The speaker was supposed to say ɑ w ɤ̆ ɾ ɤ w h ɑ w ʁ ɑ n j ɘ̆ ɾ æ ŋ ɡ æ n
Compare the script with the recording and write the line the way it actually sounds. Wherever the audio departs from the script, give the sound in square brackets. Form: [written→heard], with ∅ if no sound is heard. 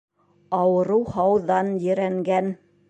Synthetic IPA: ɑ w ɤ̆ ɾ ɤ w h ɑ w [ʁ→ð] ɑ n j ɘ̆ ɾ æ ŋ ɡ æ n